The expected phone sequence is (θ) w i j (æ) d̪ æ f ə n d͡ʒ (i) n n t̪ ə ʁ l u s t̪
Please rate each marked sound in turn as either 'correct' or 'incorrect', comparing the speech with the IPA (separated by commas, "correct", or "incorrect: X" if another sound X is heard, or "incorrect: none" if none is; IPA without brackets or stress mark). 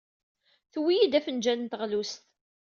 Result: correct, incorrect: i, incorrect: æ